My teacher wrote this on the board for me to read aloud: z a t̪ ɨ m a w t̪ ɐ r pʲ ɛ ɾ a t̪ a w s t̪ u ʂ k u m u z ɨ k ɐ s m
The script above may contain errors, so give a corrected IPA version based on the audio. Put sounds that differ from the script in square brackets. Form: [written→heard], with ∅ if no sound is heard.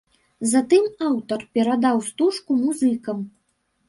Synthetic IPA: z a t̪ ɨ m a w t̪ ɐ r pʲ ɛ ɾ a [t̪→d̪] a w s t̪ u ʂ k u m u z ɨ k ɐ [s→∅] m